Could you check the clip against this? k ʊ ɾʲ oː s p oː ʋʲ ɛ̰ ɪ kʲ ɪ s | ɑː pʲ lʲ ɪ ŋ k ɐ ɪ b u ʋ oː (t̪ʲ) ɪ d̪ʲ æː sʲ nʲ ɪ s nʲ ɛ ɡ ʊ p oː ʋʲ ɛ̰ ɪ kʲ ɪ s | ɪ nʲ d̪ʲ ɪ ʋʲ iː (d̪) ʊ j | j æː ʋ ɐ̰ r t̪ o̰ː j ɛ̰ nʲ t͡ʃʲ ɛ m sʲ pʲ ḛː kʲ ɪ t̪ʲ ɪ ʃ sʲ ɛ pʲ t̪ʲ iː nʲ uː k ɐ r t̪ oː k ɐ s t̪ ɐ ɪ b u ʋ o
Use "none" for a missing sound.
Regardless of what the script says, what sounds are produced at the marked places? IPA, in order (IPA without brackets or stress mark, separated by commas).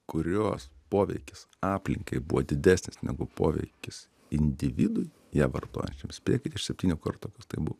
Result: d̪ʲ, d̪